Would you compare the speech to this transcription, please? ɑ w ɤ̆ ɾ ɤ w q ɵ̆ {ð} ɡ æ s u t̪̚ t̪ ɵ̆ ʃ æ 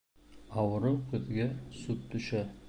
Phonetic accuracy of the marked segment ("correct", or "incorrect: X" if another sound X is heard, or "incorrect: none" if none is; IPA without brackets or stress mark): correct